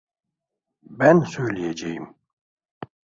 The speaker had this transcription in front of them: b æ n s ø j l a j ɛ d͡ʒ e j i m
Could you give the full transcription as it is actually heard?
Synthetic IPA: b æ n s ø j l i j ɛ d͡ʒ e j i m